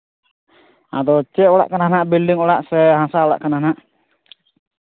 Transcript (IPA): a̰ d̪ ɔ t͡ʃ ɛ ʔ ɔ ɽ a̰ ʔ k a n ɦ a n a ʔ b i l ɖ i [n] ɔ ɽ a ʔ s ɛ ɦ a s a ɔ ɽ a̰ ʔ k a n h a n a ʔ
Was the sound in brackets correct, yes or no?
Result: no